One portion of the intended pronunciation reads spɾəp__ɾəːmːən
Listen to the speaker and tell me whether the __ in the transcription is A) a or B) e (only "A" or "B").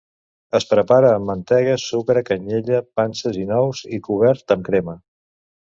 A